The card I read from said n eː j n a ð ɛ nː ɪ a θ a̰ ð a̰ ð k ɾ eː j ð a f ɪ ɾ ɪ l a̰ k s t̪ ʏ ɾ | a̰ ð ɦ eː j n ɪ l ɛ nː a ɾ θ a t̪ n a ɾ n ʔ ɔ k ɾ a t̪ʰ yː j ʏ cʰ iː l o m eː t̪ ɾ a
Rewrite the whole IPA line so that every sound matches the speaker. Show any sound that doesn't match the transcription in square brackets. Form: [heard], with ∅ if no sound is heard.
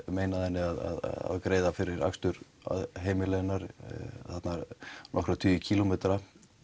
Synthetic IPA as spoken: [m] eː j n a ð ɛ nː ɪ a [ð] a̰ ð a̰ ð k ɾ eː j ð a f ɪ ɾ ɪ [ɾ] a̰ k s t̪ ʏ ɾ | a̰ ð ɦ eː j [m] ɪ l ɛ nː a ɾ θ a t̪ n a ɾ n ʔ ɔ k ɾ a t̪ʰ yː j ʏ cʰ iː l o m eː t̪ ɾ a

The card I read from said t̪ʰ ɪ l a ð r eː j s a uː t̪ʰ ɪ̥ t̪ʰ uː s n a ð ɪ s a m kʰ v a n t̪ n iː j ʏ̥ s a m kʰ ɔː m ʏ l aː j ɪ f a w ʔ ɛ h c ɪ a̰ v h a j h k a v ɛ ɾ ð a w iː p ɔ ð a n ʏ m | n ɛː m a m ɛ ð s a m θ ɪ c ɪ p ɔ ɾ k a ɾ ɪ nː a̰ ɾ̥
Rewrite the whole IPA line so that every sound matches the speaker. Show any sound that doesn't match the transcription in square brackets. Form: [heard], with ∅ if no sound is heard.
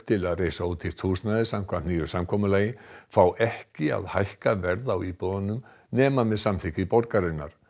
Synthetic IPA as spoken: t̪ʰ ɪ l a ð r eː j s a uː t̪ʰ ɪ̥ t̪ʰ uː s n a ð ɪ s a m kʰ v a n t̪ n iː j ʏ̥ s a m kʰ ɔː m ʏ l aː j ɪ f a w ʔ ɛ h c ɪ a̰ [ð] h a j h k a v ɛ ɾ ð a w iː p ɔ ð a n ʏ m | n ɛː m a m ɛ ð s a m θ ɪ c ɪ p ɔ ɾ k a ɾ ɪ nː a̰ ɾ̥

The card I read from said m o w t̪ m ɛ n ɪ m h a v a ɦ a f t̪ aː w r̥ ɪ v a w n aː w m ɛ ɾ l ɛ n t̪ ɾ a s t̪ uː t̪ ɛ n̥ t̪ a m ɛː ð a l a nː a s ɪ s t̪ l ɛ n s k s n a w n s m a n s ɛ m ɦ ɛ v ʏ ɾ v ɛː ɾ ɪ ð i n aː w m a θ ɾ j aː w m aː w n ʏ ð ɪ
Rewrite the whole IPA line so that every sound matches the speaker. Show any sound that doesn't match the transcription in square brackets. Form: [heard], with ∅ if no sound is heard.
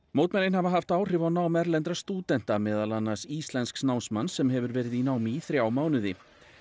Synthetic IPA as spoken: m o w t̪ m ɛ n ɪ [n] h a v a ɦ a f t̪ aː w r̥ ɪ v a w n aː w m ɛ ɾ l ɛ n t̪ ɾ a s t̪ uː t̪ ɛ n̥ t̪ a m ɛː ð a l a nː a s [i] s t̪ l ɛ n s k s n a w n s m a n s ɛ m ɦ ɛ v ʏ ɾ v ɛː ɾ ɪ ð i n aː w m [i] θ ɾ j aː w m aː w n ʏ ð ɪ

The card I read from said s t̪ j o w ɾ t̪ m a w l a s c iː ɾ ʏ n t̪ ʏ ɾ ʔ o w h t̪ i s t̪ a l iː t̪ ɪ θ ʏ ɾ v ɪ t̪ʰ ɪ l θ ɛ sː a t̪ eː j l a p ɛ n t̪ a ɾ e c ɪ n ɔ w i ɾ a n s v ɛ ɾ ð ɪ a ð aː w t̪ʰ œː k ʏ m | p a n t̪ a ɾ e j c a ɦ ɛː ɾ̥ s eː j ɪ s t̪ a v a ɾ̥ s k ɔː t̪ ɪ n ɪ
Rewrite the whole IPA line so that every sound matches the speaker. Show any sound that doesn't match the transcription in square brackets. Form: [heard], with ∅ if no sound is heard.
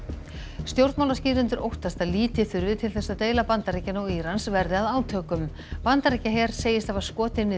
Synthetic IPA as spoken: s t̪ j o w ɾ t̪ m a w l a s c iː ɾ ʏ n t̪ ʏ ɾ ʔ o w h t̪ [a] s t̪ a l iː t̪ ɪ θ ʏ ɾ v ɪ t̪ʰ ɪ l θ ɛ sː a t̪ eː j l a p [a] n t̪ a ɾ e c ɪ n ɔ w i ɾ a n s v ɛ ɾ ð ɪ a ð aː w t̪ʰ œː k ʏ m | p a n t̪ a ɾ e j c a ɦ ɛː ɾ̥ s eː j ɪ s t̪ a v a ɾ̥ s k ɔː t̪ ɪ n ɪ

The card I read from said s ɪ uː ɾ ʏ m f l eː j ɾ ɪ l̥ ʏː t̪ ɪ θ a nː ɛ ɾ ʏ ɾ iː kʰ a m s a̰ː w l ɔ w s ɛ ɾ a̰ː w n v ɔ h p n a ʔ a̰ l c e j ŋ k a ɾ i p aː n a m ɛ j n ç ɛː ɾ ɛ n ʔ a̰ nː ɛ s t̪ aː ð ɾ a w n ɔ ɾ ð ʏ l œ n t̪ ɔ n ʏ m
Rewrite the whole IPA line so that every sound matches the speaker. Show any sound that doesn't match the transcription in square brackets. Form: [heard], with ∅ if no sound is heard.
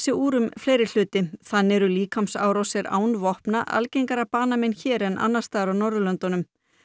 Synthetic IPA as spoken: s ɪ uː ɾ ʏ m f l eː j ɾ ɪ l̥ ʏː t̪ ɪ θ a nː ɛ ɾ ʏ [l] iː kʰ a m s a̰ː w [ɾ] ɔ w s ɛ ɾ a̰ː w n v ɔ h p n a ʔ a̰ l c e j ŋ k a ɾ [a] p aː n a m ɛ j n ç ɛː ɾ ɛ n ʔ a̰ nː [a] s t̪ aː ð ɾ a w n ɔ ɾ ð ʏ l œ n t̪ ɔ n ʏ m

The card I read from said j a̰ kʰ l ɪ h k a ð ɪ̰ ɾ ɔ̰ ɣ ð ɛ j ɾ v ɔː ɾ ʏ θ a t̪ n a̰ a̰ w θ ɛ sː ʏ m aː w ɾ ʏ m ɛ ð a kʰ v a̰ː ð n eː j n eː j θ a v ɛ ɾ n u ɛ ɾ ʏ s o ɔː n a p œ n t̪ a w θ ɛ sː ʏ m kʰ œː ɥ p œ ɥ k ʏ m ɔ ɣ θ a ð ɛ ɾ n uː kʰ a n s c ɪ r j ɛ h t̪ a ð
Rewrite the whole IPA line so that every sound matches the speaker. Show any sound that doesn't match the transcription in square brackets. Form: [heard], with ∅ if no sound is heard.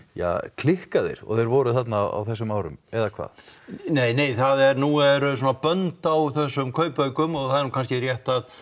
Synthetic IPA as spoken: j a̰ kʰ l ɪ h k a ð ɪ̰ ɾ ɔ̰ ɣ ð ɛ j ɾ v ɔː ɾ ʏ θ a t̪ n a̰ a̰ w θ ɛ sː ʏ m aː w ɾ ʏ m ɛ ð a kʰ v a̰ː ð n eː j n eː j θ a [ð] ɛ ɾ n u ɛ ɾ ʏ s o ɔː n a p œ n t̪ a w θ ɛ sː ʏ m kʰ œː ɥ p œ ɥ k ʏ m ɔ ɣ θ a ð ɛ ɾ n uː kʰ a n s c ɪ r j ɛ h t̪ a ð

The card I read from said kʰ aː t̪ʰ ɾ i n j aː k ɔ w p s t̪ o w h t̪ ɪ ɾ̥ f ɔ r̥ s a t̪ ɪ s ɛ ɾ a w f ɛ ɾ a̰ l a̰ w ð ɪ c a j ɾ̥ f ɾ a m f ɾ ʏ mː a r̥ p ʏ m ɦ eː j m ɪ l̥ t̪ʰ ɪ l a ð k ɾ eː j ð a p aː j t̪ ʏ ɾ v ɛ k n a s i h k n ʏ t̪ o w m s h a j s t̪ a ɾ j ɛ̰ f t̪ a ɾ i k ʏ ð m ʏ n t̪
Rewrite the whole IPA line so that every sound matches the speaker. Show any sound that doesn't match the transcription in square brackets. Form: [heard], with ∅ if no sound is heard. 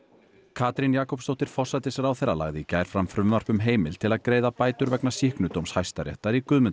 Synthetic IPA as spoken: kʰ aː [t̪] ɾ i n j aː k ɔ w p s t̪ o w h t̪ ɪ ɾ̥ f ɔ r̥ s a t̪ ɪ s ɛ ɾ a w [θ] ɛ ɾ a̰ l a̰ [ɣ] ð ɪ c a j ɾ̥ f ɾ a m f ɾ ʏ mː a r̥ p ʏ m ɦ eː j m ɪ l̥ t̪ʰ ɪ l a ð k ɾ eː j ð a p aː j t̪ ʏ ɾ v ɛ k n a s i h k n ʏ t̪ o w m s h a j s t̪ a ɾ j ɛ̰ [h] t̪ a ɾ i k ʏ ð m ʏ n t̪

